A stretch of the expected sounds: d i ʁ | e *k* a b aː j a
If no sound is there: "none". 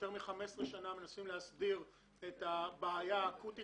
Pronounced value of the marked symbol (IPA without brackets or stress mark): t